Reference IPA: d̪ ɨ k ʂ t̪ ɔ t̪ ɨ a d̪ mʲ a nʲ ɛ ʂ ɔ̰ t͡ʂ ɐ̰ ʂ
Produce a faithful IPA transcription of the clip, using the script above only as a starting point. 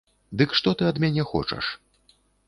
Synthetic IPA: d̪ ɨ k ʂ t̪ ɔ t̪ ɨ ɐ d̪ mʲ a nʲ ɛ x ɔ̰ t͡ʂ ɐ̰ ʂ